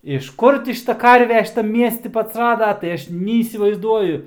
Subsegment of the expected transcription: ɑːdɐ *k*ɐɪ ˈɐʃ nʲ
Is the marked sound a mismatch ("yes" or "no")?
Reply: yes